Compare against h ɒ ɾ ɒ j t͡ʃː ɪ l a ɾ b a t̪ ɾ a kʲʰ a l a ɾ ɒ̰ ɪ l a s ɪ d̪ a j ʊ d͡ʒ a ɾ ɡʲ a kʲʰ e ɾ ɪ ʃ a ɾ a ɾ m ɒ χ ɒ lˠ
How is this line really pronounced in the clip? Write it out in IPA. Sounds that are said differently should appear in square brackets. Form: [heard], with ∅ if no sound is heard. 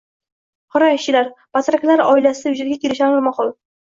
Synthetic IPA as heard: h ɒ ɾ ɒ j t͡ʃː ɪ l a ɾ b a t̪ ɾ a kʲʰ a l a ɾ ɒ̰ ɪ l a s ɪ d̪ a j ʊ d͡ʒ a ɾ ɡʲ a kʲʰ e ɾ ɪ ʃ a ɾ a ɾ m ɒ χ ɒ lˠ